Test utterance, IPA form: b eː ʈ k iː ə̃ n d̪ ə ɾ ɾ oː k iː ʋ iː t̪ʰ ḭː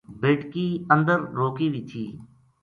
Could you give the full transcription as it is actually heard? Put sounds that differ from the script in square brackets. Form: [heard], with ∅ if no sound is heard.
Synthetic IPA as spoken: b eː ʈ k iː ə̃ n d̪ ə ɾ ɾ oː k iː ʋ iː t̪ʰ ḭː